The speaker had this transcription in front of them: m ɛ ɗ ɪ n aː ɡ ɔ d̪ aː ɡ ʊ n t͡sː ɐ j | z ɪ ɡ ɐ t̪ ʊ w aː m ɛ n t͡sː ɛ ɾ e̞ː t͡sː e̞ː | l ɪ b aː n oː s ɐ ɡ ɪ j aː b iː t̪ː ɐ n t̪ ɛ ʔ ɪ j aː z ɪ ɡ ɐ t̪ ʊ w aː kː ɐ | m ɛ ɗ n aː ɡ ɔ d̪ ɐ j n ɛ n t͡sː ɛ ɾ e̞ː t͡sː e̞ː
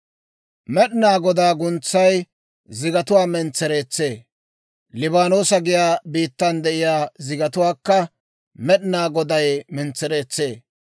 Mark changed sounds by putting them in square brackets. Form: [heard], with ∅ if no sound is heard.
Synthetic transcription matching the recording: m ɛ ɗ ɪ n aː ɡ ɔ d̪ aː ɡ ʊ n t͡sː ɐ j | z ɪ ɡ ɐ t̪ ʊ w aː m ɛ n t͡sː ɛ ɾ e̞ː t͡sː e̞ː | l ɪ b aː n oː s ɐ ɡ ɪ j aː b iː t̪ː ɐ n [d̪] ɛ ʔ ɪ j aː z ɪ ɡ ɐ t̪ ʊ w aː kː ɐ | m ɛ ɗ n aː ɡ ɔ d̪ ɐ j [m] ɛ n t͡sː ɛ ɾ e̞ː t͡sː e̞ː